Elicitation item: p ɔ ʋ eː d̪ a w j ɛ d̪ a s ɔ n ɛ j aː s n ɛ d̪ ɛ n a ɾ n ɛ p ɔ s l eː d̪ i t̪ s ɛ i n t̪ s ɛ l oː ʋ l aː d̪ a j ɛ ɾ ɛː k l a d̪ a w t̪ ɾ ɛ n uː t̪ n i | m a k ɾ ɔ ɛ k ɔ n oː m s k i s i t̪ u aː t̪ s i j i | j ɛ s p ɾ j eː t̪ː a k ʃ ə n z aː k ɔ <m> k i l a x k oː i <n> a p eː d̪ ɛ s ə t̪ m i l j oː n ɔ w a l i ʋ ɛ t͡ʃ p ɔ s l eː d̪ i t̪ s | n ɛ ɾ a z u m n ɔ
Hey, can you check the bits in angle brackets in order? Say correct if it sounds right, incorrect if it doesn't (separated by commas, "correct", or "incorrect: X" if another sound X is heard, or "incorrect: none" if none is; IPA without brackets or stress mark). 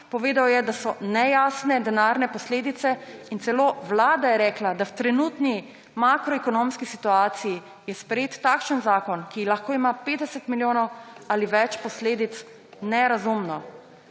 incorrect: n, incorrect: m